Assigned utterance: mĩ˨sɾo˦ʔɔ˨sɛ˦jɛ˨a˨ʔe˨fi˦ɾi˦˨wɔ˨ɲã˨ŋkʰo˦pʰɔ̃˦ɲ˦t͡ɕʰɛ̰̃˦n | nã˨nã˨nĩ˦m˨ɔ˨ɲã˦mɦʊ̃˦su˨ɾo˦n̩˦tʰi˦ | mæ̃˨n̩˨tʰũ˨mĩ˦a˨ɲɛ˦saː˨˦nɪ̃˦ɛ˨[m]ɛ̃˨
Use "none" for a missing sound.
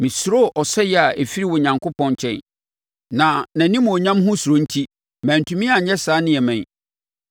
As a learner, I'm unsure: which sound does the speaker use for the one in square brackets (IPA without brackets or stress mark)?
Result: m